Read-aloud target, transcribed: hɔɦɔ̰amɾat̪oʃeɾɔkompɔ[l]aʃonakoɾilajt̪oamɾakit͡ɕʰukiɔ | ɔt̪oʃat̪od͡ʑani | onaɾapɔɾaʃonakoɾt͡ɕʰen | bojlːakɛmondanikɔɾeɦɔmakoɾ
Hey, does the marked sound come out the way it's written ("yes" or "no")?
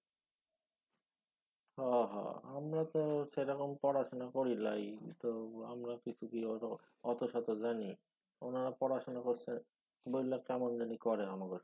no